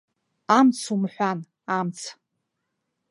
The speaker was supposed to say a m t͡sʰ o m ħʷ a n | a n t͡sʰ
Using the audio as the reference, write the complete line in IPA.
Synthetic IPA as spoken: a m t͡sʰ u m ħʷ a n | a m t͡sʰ